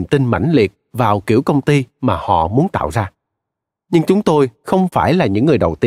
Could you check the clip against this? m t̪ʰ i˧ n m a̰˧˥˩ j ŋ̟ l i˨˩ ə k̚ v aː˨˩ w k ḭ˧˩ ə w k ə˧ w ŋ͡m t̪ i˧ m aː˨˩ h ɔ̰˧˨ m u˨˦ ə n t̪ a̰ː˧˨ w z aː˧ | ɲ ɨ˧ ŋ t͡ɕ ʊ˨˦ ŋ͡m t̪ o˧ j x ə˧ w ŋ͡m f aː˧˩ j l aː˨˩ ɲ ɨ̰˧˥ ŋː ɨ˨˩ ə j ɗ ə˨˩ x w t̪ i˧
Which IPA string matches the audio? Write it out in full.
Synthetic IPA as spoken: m t̪ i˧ n m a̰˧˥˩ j ŋ̟ l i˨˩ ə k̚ v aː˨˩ w k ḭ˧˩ ə w k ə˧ w ŋ͡m t̪ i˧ m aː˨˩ h ɔ̰˧˨ m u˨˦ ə n t̪ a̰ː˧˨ w z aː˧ | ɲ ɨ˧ ŋ t͡ɕ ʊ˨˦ ŋ͡m t̪ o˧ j x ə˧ w ŋ͡m f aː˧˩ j l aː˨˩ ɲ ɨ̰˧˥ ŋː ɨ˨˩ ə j ɗ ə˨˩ w t̪ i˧